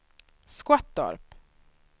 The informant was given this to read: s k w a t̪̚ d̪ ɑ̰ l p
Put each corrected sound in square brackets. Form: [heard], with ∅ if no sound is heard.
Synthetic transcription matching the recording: s k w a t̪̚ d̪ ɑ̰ [ɾ] p